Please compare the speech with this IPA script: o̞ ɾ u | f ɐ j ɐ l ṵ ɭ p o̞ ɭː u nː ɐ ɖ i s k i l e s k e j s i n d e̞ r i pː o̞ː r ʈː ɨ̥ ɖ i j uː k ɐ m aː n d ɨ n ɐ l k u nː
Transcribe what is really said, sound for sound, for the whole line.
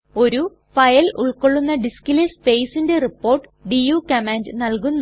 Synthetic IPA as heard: o̞ ɾ u | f ɐ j ɐ l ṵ ɭ k o̞ ɭː u nː ɐ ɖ i s k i l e s p e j s i n d e̞ r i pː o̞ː r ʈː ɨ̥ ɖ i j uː k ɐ m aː n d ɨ n ɐ l k u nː